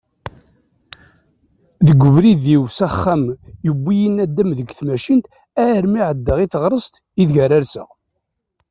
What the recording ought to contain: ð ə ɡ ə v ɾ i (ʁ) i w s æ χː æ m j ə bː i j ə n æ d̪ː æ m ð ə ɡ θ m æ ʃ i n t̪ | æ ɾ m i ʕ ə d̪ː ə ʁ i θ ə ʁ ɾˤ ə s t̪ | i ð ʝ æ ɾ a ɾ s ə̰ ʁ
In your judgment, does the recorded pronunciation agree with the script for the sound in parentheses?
no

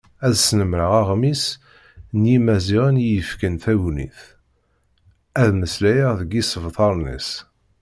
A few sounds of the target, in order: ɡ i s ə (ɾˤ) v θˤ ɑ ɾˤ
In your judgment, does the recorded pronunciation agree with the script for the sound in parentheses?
no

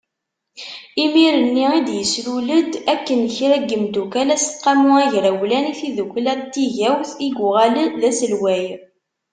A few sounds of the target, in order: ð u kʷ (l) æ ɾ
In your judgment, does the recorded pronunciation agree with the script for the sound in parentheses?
yes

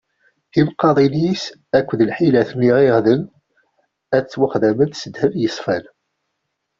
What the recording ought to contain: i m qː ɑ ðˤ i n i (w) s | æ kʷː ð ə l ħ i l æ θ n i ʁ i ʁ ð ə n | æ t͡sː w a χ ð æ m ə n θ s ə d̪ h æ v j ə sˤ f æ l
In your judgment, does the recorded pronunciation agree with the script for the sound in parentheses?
no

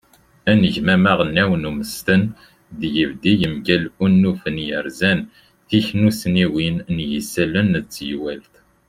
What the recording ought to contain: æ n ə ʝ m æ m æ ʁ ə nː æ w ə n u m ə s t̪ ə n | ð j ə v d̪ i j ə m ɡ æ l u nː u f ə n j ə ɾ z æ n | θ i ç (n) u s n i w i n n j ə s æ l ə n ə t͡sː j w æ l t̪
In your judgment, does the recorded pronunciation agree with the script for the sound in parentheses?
yes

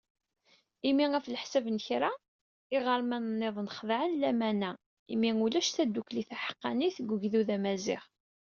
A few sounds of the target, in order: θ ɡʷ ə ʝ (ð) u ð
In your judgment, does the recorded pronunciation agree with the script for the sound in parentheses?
yes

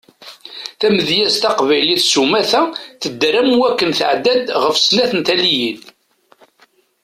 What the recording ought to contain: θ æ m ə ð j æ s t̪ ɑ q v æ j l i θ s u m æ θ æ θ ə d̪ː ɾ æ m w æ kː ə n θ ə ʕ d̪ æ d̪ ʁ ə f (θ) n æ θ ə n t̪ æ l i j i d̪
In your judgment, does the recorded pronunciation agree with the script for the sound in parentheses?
no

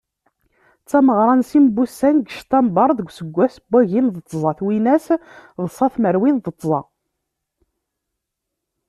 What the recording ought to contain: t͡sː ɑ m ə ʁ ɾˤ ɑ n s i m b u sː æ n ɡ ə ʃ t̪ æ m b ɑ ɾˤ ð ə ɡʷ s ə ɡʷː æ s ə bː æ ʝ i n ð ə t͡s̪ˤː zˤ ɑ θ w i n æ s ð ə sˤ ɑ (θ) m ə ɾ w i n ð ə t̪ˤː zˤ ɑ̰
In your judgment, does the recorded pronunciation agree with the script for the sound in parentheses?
yes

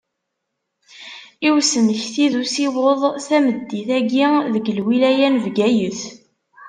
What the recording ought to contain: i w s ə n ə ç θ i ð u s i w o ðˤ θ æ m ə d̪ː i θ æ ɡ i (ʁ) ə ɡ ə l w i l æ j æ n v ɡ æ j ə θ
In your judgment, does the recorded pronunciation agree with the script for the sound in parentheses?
no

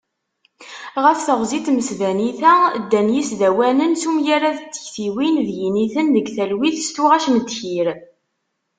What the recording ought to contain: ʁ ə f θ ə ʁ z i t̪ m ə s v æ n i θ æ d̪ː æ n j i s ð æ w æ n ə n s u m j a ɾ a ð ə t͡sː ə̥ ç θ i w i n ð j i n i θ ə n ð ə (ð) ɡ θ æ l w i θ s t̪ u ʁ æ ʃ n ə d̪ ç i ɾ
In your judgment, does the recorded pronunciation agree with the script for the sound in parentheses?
no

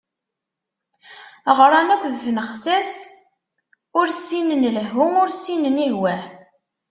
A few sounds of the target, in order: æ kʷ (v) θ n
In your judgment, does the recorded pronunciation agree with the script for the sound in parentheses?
no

